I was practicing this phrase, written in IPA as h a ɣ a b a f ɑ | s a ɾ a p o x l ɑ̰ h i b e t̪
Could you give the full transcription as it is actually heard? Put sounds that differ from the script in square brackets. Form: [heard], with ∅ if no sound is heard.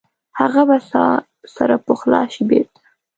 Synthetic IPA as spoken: h a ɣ a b a [s] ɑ | s a ɾ a p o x l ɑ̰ [ʃ] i b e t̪

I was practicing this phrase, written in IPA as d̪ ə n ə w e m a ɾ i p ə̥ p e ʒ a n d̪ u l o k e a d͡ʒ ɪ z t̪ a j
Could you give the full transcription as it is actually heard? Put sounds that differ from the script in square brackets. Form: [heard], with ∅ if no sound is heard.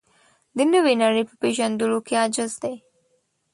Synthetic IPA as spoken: d̪ ə n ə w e [n] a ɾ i p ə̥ p e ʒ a n d̪ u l o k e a d͡ʒ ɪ z [d̪] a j

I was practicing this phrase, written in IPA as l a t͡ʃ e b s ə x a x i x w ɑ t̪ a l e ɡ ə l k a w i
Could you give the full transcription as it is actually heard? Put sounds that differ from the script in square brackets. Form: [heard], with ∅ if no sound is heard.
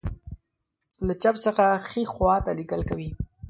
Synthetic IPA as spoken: l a t͡ʃ [a] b s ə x a x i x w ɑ t̪ a l [i] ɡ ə l k a w i

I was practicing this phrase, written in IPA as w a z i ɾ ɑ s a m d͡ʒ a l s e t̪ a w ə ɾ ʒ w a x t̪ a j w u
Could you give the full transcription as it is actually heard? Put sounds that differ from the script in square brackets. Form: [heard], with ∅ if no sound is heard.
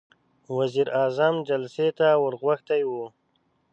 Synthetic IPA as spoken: w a z i ɾ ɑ [z] a m d͡ʒ a l s e t̪ a w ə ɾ [ɣ] w a x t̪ a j w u

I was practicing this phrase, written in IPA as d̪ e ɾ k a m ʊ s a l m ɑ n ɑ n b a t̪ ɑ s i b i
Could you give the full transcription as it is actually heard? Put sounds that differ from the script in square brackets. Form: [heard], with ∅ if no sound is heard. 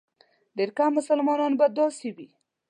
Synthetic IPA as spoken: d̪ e ɾ k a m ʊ s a l m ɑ n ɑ n b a [d̪] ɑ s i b i

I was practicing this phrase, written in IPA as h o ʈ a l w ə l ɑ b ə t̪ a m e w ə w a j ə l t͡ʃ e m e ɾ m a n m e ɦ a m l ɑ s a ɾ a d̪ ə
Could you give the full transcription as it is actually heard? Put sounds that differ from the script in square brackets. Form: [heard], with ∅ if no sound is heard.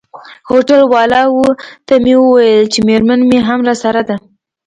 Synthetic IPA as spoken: h o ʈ a l w [ɑ] l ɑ [w] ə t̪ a m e w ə w a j ə l t͡ʃ e m e ɾ m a n m e ɦ a m [ɾ] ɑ s a ɾ a d̪ [a]

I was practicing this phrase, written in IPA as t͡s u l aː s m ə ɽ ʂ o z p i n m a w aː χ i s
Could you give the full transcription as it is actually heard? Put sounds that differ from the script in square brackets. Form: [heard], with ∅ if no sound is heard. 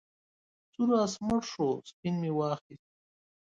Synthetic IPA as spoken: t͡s u [ɾ] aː s m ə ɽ ʂ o [s] p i n m [i] w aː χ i s

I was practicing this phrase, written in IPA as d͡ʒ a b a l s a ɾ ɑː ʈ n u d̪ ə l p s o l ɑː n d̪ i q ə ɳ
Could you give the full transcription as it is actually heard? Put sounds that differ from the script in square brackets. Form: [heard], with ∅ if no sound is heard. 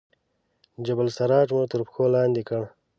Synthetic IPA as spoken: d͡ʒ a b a l s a ɾ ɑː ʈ [m] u [t̪] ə [ɾ] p [x] o l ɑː n d̪ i [k] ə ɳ

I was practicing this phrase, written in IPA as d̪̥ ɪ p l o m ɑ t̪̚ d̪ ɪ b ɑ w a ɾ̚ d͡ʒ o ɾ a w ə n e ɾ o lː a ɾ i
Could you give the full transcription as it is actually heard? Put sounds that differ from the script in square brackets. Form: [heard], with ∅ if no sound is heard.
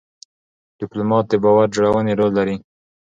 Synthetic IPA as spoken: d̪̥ ɪ p l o m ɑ t̪̚ d̪ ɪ b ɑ w a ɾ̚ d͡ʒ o [ɽ] a w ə n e ɾ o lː a ɾ i

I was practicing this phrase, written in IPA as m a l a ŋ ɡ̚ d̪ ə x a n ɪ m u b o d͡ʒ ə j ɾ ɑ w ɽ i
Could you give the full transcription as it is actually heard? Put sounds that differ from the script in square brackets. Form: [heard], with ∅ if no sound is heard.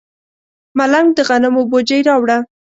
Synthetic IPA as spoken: m a l a ŋ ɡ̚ d̪ ə [ɣ] a n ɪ m [o] b o d͡ʒ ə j ɾ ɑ w ɽ [a]

